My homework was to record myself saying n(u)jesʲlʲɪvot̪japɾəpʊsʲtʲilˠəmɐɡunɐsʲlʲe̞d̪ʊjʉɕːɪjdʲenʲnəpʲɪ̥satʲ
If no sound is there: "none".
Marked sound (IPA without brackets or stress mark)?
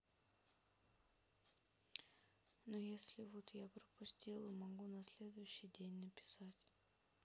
o